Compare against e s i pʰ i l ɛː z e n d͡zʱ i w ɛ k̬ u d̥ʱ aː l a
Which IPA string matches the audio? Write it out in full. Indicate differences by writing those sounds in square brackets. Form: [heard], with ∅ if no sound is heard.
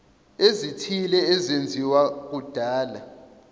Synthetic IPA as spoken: e [z] i [tʰ] i l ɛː z e n d͡zʱ i w [a] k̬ u d̥ʱ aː l a